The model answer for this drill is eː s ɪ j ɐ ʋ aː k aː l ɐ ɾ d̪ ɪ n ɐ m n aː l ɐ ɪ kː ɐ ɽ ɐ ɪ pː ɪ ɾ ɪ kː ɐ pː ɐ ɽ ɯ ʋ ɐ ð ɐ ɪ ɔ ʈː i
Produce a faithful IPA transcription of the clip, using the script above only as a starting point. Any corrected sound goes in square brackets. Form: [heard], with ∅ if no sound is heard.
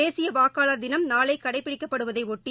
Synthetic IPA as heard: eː s ɪ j ɐ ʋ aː k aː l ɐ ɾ d̪ ɪ n ɐ m n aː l ɐ ɪ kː ɐ ɽ ɐ ɪ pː ɪ [ɽ] ɪ kː ɐ pː ɐ ɽ ɯ ʋ ɐ ð ɐ ɪ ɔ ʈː i